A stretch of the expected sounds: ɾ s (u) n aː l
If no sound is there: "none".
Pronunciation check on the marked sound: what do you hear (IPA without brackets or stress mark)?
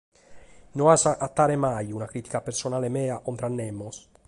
o